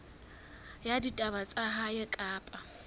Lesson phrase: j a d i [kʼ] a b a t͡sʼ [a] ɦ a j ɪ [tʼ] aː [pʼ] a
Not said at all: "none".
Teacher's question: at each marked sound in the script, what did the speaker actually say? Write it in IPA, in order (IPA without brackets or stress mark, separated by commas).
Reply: tʼ, a, kʼ, pʼ